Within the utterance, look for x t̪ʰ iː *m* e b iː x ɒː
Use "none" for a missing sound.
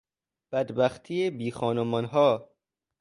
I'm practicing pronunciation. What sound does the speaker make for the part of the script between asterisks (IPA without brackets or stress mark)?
none